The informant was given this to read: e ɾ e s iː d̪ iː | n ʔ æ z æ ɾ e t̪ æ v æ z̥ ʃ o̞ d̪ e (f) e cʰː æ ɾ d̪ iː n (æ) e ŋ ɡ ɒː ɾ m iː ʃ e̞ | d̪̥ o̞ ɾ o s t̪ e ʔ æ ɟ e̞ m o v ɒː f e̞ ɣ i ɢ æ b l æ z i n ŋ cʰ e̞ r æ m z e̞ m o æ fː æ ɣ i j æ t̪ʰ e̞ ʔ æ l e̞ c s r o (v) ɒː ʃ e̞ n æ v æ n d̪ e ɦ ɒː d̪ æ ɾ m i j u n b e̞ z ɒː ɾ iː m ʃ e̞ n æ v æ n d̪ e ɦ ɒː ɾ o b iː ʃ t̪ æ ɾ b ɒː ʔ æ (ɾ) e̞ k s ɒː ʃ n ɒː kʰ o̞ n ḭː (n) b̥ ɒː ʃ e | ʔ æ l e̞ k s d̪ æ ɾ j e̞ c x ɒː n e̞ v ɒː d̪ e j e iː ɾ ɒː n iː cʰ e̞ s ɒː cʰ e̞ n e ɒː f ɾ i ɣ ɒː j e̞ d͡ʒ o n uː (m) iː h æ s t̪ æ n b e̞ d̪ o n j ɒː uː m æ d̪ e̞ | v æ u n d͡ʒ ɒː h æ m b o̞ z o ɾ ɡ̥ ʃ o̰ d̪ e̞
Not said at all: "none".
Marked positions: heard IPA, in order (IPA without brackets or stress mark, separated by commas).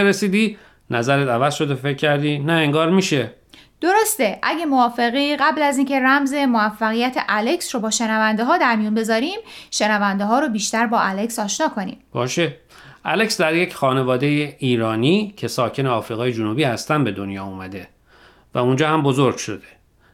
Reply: f, æ, b, l, m, b